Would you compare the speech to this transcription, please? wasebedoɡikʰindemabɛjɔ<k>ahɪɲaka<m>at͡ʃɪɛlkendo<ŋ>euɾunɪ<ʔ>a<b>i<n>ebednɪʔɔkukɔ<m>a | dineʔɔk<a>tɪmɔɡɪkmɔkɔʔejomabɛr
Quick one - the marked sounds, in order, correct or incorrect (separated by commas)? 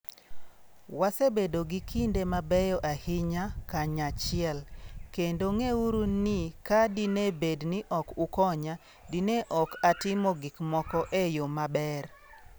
incorrect, incorrect, correct, incorrect, incorrect, correct, incorrect, correct